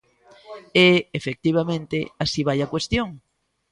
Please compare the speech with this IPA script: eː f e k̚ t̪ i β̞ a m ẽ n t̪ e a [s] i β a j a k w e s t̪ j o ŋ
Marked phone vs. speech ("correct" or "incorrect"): correct